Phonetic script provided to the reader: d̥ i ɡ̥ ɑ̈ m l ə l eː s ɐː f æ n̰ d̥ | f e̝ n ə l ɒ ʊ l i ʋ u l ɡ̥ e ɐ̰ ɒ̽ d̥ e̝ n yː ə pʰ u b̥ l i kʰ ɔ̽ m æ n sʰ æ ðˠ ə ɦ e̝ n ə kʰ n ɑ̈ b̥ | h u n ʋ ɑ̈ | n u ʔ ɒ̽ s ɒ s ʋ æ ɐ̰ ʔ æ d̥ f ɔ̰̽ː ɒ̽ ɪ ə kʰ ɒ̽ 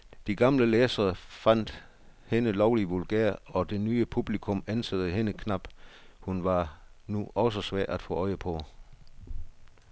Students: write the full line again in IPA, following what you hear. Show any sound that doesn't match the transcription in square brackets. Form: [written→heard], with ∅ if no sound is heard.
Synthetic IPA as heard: d̥ i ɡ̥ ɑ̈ m l ə l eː s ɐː f æ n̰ d̥ | [f→h] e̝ n ə l ɒ ʊ l i ʋ u l ɡ̥ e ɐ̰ ɒ̽ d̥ e̝ n yː ə pʰ u b̥ l i kʰ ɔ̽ m æ n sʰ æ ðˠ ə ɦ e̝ n ə kʰ n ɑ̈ b̥ | h u n ʋ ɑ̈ | n u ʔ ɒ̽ s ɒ s ʋ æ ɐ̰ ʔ æ d̥ f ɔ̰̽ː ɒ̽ ɪ ə [kʰ→pʰ] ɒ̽